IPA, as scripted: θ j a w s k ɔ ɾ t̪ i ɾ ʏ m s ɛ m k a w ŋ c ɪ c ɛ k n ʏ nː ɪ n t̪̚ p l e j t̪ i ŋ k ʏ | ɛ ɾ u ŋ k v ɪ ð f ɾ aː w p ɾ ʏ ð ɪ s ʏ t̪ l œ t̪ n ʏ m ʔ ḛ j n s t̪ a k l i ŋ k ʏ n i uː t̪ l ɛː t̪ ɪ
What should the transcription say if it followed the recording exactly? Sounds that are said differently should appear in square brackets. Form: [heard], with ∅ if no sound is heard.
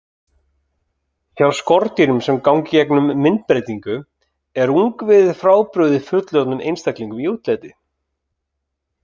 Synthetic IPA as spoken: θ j a w s k ɔ ɾ t̪ i ɾ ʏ m s ɛ m k a w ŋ c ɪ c ɛ k n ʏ [mː] ɪ n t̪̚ p [ɾ] e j t̪ i ŋ k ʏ | ɛ ɾ u ŋ k v ɪ ð f ɾ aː w p ɾ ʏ ð ɪ [f] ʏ t̪ l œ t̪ n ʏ m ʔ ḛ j n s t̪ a k l i ŋ k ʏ [m] i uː t̪ l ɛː t̪ ɪ